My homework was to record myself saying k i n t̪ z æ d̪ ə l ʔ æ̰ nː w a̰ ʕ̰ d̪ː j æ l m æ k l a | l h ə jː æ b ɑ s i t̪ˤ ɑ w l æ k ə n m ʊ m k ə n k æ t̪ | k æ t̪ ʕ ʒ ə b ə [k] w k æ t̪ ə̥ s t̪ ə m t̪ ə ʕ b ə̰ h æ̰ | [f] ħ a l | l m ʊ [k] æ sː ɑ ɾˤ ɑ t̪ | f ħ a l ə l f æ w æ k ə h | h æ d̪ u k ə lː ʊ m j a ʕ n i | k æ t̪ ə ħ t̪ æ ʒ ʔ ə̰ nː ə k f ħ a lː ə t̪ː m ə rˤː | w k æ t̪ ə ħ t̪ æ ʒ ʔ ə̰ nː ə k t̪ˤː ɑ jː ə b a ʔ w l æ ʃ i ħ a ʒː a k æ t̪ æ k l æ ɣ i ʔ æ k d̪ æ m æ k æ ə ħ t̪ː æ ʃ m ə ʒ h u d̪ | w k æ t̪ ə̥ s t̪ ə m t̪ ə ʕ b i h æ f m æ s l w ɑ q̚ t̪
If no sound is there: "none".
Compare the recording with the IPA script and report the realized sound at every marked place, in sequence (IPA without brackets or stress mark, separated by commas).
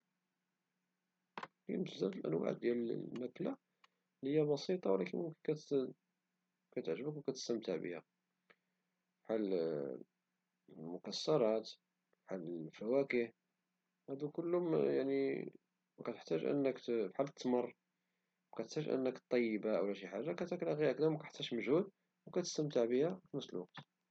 k, f, k